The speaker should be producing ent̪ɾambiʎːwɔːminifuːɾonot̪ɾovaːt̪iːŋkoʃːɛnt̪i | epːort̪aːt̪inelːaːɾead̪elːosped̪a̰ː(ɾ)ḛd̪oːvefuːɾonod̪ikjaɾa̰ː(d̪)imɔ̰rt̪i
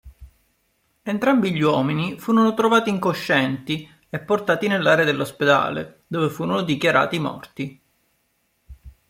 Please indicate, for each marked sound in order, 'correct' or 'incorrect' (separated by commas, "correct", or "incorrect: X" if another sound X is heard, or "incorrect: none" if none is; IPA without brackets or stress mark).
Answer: incorrect: l, incorrect: t̪